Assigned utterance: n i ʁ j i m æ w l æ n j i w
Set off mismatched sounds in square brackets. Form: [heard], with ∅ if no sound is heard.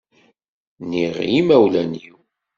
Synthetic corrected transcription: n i ʁ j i m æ w l æ n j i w